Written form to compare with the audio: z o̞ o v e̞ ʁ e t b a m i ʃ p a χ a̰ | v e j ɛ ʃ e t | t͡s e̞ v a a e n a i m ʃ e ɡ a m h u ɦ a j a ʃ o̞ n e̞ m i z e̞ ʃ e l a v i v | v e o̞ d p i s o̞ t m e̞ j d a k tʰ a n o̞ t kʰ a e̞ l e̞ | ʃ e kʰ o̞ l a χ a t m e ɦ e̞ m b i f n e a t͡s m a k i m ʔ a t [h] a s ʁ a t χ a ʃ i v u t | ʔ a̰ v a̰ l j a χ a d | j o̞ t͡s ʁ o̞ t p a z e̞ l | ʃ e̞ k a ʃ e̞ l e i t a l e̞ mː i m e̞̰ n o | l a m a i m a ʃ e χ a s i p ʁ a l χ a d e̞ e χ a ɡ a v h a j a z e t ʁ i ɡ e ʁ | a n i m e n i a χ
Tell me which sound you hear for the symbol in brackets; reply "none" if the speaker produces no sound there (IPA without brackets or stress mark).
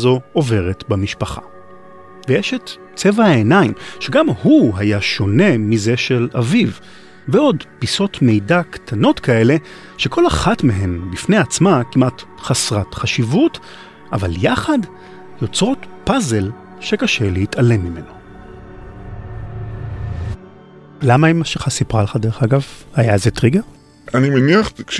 χ